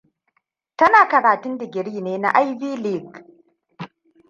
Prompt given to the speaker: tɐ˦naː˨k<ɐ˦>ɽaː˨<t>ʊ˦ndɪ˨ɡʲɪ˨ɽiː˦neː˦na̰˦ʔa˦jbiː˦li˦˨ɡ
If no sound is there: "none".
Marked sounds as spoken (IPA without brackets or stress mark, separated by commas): ɐ˨, t